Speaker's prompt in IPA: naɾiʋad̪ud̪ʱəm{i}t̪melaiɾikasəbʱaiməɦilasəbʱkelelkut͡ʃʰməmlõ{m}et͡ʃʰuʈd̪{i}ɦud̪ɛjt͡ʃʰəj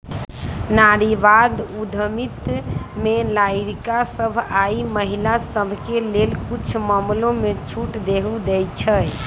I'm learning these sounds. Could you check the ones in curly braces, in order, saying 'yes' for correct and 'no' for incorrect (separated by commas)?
yes, yes, no